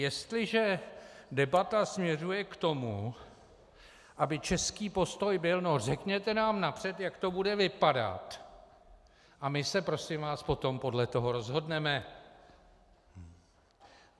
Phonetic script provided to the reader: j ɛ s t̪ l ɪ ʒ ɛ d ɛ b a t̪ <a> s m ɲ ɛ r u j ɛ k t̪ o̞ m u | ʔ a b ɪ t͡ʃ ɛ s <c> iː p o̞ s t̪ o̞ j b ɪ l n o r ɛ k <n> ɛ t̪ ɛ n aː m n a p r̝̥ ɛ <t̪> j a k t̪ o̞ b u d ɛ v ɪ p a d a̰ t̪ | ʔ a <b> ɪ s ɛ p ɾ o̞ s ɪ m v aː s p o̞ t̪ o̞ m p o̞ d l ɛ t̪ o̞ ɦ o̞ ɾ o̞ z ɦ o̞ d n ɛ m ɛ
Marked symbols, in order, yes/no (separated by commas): yes, no, no, yes, no